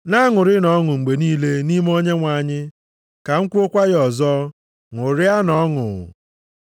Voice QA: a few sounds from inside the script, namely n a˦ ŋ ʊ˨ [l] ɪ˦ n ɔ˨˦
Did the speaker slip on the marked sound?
yes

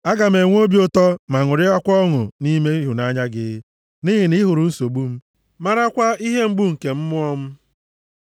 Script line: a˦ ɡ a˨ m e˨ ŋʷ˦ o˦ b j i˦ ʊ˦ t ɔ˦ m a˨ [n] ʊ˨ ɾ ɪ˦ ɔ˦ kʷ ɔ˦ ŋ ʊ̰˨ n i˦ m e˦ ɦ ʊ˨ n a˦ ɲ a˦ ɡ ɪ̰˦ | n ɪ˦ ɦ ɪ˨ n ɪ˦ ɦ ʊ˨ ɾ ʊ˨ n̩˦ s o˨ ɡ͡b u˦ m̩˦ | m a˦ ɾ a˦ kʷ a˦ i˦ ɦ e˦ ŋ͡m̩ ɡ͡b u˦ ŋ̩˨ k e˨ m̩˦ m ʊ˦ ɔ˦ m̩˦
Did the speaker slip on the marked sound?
yes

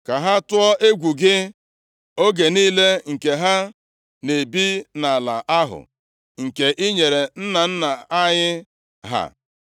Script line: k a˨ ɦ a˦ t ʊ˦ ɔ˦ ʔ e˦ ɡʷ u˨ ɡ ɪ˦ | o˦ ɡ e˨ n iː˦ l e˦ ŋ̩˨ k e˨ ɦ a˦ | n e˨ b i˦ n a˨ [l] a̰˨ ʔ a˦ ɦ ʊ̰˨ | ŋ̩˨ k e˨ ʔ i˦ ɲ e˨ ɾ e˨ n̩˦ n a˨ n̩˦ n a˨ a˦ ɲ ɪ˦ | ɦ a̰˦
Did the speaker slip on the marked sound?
no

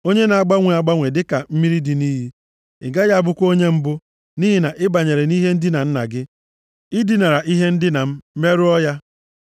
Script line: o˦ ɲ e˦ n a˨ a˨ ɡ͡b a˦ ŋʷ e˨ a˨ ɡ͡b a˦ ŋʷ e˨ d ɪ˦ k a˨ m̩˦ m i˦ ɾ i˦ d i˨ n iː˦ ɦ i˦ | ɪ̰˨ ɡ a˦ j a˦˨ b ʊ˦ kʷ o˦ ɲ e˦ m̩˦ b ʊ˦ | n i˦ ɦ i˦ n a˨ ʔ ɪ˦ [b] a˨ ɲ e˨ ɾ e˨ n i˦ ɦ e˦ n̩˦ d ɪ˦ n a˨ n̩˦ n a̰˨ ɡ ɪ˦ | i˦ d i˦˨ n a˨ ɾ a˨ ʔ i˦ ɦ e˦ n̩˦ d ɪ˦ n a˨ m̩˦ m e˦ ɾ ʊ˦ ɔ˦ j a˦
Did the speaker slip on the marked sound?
no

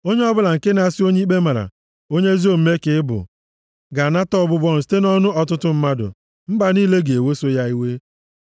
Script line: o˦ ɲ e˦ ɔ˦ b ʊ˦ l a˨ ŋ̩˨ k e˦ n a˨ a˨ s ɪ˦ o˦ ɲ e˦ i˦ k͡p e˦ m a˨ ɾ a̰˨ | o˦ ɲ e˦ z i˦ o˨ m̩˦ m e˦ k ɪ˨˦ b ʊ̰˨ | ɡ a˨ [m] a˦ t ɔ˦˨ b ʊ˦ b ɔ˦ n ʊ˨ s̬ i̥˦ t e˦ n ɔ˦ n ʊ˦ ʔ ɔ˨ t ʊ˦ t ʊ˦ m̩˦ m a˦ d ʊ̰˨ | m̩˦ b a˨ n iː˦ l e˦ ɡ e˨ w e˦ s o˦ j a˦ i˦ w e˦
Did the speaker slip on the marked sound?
yes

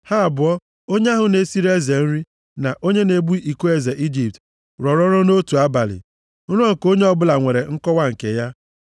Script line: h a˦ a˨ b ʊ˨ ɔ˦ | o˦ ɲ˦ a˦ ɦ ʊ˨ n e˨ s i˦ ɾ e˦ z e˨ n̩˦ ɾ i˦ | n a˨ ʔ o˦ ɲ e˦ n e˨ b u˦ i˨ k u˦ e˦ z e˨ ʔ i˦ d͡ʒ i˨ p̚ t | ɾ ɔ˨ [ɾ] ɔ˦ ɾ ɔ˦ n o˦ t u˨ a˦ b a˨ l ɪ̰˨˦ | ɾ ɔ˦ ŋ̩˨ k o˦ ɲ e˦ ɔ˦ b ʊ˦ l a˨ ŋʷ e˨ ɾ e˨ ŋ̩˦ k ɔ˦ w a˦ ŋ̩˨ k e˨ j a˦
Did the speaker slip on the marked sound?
no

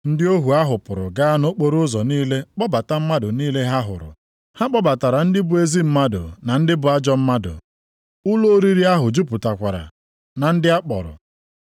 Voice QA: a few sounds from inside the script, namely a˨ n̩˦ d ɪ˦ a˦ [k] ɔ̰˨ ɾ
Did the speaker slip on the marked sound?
yes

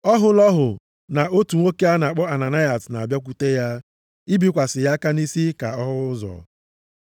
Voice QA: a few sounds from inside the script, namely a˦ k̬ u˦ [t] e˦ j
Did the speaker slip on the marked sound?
no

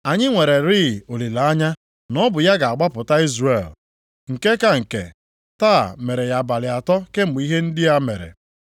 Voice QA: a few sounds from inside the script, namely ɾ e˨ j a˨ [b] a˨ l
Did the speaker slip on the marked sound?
no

